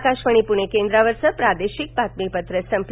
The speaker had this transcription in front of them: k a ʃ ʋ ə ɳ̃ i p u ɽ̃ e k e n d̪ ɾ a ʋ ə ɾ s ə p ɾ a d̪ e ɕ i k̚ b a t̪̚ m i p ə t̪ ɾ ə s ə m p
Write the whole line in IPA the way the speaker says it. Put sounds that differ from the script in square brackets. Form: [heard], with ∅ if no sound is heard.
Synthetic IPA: k a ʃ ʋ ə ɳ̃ i p u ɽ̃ e k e n d̪ ɾ a ʋ ə ɾ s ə p ɾ a d̪ e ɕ i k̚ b a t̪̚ m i p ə t̪ ɾ ə s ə m p